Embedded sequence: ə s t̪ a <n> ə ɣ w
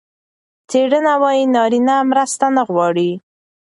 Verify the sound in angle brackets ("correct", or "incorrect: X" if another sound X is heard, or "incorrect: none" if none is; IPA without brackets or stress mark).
correct